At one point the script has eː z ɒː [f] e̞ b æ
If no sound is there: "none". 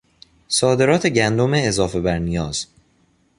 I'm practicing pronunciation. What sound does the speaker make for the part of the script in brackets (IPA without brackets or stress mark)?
f